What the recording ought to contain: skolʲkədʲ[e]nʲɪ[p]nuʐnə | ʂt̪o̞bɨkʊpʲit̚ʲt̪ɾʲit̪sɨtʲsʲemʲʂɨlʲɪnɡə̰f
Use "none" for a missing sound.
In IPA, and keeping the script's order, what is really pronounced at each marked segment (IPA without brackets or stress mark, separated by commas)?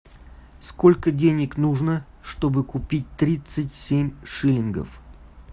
e, k